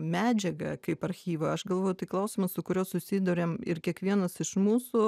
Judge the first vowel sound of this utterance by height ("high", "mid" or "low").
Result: low